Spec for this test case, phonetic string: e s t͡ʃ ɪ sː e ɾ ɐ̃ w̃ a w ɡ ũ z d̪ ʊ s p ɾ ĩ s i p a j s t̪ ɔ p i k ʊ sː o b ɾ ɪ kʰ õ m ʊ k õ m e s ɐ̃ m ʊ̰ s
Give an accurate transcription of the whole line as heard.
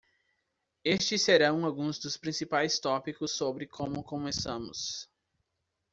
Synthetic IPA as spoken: e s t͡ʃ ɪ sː e ɾ ɐ̃ w̃ a w ɡ ũ z d̪ ʊ s p ɾ ĩ s i p a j s t̪ ɔ p i k ʊ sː o b ɾ ɪ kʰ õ m ʊ k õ m e s ɐ̃ m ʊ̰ s